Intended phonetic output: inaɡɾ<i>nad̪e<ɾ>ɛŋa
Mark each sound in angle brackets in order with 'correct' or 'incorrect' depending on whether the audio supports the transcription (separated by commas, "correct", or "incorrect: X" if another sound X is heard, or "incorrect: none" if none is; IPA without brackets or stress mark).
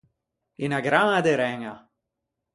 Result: incorrect: a, correct